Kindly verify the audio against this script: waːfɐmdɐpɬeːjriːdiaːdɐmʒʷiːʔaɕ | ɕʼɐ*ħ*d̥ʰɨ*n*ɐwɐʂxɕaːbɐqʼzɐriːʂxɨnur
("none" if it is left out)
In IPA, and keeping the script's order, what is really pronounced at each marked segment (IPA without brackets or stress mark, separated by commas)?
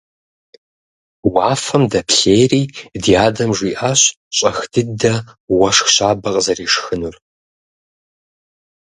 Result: x, d